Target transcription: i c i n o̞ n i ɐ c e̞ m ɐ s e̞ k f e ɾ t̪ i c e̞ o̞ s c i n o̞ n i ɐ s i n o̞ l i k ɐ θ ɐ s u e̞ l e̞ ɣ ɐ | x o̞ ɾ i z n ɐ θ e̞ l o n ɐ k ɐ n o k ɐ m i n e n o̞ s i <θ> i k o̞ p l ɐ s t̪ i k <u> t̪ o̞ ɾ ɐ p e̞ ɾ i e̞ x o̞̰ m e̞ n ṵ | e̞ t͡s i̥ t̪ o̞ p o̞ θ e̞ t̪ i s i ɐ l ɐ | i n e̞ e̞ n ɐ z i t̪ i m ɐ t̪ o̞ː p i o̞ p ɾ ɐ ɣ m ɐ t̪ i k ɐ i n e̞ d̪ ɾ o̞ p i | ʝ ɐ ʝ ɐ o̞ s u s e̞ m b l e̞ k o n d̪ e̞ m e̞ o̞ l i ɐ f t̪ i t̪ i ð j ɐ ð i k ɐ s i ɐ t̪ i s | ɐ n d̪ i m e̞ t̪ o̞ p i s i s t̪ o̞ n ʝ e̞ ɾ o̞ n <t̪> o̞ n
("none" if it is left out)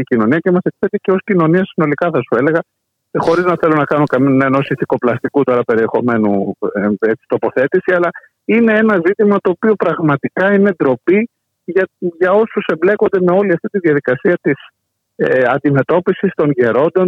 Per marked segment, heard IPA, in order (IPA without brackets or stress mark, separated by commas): θ, u, d̪